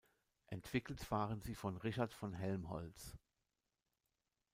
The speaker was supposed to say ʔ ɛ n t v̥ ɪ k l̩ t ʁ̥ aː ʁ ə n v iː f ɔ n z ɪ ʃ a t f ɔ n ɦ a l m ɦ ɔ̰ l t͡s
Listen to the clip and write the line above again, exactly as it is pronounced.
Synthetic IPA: ʔ ɛ n t v̥ ɪ k l̩ t v̥ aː ʁ ə n z iː f ɔ n ʁ ɪ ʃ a t f ɔ n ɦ ɛ l m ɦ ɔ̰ l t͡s